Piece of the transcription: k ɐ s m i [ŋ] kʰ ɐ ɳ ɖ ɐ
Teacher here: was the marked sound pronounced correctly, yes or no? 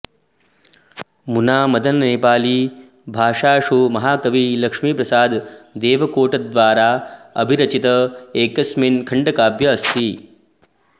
no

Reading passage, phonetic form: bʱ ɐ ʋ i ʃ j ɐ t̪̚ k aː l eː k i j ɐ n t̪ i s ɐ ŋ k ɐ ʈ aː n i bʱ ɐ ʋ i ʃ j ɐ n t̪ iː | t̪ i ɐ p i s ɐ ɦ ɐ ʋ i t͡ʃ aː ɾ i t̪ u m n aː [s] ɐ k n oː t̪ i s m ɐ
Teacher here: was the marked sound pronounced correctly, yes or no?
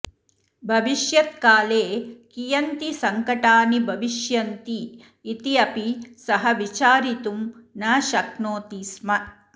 no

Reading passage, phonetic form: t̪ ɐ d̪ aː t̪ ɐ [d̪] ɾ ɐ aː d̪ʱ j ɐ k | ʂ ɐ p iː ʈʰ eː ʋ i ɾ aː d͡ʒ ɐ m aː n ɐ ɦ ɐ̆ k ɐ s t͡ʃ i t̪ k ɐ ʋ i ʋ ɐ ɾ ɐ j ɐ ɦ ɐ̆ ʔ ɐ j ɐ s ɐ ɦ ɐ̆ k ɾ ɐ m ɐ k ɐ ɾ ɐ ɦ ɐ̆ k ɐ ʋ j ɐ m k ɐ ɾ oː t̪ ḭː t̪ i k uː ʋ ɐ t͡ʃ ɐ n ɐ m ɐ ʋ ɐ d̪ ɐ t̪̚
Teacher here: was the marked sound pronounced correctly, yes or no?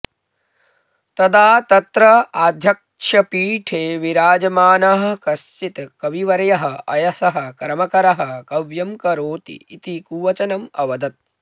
no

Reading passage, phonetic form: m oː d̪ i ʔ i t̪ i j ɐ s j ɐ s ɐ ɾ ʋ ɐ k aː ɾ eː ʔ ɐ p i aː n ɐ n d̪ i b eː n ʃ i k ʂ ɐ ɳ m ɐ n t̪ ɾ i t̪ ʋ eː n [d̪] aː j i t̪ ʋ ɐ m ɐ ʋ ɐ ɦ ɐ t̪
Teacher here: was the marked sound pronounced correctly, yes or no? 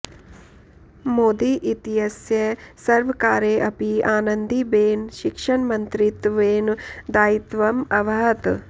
yes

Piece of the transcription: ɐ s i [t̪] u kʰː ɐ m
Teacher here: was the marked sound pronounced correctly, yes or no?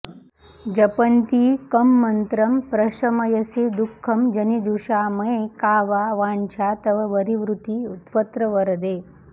no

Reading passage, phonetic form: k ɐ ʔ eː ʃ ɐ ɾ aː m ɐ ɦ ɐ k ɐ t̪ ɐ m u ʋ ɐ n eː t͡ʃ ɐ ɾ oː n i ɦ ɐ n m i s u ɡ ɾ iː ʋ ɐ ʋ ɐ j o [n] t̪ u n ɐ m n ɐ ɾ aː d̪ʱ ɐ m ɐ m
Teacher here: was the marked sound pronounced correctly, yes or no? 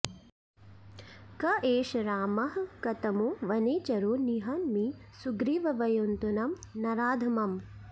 yes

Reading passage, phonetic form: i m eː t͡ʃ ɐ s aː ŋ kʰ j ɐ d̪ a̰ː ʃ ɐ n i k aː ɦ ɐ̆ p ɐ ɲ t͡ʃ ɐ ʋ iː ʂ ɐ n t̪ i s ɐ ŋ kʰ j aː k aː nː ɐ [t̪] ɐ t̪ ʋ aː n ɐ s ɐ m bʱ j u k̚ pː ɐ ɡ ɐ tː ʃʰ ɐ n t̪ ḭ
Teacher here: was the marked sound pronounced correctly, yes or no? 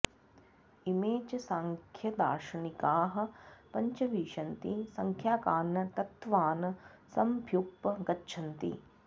yes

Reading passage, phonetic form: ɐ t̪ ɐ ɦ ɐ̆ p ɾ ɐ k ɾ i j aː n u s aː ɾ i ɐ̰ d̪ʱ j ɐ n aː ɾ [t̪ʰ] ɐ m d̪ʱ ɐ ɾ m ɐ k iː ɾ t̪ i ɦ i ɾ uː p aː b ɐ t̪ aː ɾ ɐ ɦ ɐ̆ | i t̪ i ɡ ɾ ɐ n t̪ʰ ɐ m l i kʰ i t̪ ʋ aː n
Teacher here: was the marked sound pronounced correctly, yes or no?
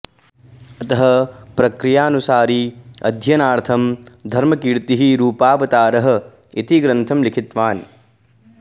yes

